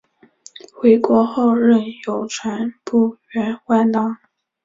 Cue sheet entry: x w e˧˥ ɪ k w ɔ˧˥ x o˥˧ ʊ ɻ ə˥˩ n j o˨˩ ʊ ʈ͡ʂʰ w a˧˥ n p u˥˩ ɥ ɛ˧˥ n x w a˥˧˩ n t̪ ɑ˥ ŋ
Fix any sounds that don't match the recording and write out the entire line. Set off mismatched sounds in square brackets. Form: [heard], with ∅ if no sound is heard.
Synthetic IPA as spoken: x w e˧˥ ɪ k w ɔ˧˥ x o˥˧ ʊ ɻ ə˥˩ n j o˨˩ ʊ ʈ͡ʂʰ w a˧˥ n p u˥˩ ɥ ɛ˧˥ n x w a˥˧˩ n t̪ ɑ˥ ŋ